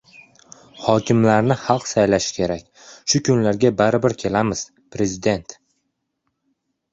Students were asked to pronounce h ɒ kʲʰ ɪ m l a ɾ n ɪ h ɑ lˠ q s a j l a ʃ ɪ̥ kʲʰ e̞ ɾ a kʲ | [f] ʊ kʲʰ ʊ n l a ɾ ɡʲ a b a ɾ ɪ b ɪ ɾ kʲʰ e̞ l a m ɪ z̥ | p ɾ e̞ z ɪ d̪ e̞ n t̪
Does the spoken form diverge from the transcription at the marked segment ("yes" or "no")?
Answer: yes